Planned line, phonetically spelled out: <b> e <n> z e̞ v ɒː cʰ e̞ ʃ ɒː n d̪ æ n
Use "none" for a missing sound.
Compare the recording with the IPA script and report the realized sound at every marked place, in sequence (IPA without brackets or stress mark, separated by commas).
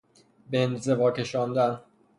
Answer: b, n